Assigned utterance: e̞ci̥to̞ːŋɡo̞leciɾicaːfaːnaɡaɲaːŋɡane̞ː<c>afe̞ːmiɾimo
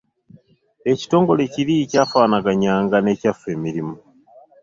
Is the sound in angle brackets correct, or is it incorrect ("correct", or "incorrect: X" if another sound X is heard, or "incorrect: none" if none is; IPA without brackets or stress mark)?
correct